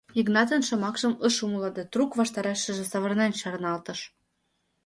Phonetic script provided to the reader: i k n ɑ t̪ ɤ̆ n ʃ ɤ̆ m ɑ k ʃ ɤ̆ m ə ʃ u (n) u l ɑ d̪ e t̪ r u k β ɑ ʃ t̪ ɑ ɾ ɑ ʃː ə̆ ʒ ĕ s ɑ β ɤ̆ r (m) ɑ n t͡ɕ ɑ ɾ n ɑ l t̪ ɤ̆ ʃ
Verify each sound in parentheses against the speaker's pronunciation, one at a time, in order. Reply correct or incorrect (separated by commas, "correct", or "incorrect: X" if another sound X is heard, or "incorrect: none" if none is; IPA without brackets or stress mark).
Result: incorrect: m, incorrect: n